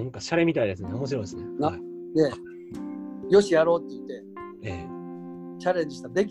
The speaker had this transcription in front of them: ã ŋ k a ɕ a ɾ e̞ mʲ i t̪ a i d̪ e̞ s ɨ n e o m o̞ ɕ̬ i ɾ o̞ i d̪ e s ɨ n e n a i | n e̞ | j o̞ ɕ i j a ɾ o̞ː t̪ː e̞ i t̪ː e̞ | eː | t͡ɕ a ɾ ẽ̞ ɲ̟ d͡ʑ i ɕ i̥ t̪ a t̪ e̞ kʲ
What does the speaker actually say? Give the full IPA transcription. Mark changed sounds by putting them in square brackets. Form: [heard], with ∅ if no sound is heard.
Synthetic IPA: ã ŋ k a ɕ a ɾ e̞ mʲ i t̪ a i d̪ e̞ s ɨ n e o m o̞ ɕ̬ i ɾ o̞ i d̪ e s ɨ n e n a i | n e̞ | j o̞ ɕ i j a ɾ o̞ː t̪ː e̞ i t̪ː e̞ | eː | t͡ɕ a ɾ ẽ̞ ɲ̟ d͡ʑ i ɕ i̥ t̪ a [d̪] e̞ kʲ